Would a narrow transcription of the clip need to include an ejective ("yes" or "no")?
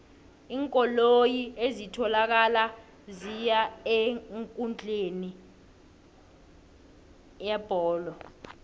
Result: yes